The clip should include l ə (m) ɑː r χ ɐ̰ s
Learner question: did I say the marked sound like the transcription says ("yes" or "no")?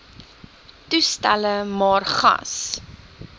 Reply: yes